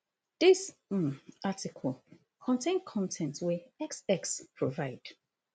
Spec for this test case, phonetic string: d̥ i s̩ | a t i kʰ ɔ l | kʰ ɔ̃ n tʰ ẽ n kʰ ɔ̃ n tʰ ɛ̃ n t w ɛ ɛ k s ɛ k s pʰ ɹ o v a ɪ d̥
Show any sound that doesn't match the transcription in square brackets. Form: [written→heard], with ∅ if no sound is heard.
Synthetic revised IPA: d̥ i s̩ | a t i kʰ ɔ l | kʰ ɔ̃ n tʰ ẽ n kʰ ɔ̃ n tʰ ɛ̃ n t w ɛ ɛ k s ɛ k s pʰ ɹ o v a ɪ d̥